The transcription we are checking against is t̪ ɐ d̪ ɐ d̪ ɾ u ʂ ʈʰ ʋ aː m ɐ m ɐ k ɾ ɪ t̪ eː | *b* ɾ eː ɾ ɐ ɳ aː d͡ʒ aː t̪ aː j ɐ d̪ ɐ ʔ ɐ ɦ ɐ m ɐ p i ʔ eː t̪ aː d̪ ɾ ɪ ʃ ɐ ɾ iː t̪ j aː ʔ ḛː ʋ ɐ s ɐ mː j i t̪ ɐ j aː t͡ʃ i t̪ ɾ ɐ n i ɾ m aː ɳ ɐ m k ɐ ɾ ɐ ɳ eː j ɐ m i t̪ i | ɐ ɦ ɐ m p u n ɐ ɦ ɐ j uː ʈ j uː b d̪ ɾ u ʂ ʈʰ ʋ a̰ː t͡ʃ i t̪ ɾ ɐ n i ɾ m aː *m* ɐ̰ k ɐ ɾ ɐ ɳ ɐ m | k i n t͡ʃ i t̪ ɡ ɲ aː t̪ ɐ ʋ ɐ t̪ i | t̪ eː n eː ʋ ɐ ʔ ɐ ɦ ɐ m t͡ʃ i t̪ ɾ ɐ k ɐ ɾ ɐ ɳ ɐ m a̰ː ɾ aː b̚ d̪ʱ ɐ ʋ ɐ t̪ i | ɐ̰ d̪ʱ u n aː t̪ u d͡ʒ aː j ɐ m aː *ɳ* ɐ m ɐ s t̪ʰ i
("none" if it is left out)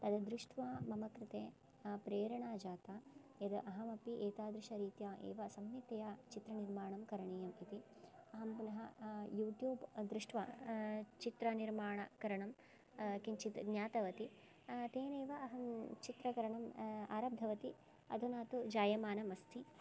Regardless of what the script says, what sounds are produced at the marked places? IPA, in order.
p, ɳ, n

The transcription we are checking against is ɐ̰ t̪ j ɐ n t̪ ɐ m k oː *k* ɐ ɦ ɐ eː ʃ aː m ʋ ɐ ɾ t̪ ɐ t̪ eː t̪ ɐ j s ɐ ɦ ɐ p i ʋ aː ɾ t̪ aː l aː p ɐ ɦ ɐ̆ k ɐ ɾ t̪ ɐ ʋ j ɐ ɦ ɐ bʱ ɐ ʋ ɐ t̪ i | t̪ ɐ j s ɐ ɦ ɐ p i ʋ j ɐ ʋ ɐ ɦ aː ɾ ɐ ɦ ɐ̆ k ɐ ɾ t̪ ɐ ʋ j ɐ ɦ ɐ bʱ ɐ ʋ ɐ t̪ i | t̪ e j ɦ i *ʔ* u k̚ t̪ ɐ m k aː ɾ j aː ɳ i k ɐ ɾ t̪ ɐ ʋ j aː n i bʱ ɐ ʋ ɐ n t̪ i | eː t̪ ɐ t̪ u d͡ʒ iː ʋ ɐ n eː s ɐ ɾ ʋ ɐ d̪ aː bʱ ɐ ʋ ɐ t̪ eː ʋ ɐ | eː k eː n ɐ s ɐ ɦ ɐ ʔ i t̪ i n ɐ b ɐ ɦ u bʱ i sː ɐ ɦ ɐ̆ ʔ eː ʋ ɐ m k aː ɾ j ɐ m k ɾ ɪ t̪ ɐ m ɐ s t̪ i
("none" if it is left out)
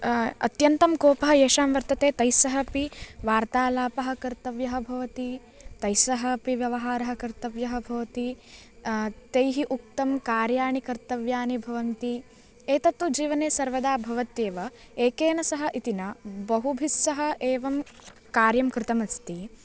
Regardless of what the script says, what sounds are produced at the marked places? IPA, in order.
p, ʔ

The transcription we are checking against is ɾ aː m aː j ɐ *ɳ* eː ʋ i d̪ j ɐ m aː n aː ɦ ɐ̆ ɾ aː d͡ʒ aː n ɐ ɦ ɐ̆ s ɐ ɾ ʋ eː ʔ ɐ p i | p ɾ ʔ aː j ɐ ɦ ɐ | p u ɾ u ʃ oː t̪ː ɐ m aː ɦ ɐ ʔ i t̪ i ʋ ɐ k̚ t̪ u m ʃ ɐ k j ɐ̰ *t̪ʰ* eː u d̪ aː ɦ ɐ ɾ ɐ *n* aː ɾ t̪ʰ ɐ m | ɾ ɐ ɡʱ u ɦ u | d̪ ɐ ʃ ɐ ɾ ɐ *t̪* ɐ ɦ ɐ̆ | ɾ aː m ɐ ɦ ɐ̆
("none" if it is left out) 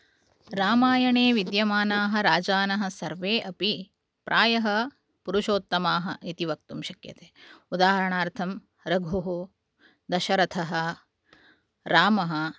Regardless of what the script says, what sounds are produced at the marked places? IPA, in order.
ɳ, t̪, ɳ, t̪ʰ

